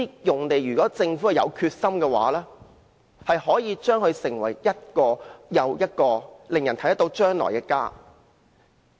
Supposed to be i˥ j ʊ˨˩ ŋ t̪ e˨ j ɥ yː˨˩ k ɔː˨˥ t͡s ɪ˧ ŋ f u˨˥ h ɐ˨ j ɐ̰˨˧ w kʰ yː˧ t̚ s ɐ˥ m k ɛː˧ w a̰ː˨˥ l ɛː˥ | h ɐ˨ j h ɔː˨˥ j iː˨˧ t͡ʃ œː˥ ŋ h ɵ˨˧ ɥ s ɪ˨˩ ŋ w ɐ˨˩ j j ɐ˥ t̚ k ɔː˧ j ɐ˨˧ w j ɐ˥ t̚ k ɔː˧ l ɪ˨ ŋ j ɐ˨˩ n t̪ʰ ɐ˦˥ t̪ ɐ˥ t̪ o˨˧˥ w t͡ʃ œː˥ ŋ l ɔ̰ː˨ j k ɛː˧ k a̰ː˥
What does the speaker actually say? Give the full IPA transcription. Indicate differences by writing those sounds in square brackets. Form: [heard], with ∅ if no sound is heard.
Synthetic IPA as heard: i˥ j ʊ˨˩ ŋ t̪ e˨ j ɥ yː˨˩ k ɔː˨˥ t͡s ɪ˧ ŋ f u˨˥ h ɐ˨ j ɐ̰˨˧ w kʰ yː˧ t̚ s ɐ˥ m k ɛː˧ w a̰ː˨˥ l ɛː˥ | h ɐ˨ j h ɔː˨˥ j iː˨˧ t͡ʃ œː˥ ŋ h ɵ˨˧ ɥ s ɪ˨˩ ŋ w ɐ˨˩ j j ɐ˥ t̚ k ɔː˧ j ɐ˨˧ w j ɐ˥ t̚ k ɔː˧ l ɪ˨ ŋ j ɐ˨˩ n t̪ʰ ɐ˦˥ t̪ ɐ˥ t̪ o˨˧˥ w t͡ʃ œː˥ ŋ l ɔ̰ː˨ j k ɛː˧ k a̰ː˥